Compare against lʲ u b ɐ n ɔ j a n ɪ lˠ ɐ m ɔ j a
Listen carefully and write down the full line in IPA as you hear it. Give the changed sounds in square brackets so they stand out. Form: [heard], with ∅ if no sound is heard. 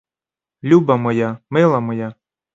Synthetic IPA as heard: lʲ u b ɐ [m] ɔ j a [m] ɪ lˠ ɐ m ɔ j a